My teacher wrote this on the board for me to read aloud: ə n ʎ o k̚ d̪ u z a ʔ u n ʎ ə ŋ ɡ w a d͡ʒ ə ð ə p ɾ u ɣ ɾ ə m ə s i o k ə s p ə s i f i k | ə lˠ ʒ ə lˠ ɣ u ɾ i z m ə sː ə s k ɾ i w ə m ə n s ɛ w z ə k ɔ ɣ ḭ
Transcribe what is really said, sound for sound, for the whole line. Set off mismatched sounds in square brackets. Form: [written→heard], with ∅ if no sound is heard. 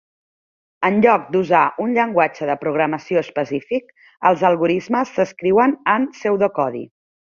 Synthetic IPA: ə n ʎ [o→ɔ] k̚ d̪ u z a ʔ u n ʎ ə ŋ ɡ w a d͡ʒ ə ð ə p ɾ u ɣ ɾ ə m ə s i o [k→∅] ə s p ə s i f i k | ə lˠ [ʒ→z] ə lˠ ɣ u ɾ i z m ə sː ə s k ɾ i w ə [m→n] ə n s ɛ w [z→ð] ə k ɔ [ɣ→ð] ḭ

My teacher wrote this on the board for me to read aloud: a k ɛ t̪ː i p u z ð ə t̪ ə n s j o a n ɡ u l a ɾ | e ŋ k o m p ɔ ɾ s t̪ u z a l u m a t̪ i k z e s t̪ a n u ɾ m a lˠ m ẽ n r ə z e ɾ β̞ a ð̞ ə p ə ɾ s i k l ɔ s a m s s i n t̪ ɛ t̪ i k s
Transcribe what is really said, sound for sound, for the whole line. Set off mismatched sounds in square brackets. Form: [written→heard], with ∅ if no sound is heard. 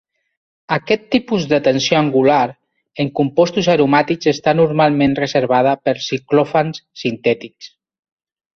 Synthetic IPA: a k ɛ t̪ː i p u z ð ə t̪ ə n s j o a [n→ŋ] ɡ u l a ɾ | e ŋ k [o→u] m p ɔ [ɾ→∅] s t̪ u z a [l→ɾ] u m a t̪ i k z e s t̪ a n u ɾ m a lˠ m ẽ n r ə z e ɾ β̞ a ð̞ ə p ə ɾ s i k l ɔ [s→f] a [m→n] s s i n t̪ ɛ t̪ i k s

